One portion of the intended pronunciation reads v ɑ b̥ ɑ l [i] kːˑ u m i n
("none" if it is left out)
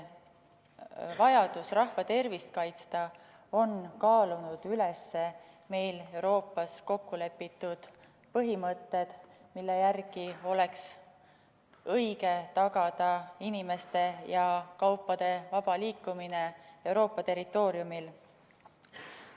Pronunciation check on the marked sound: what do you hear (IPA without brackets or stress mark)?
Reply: iː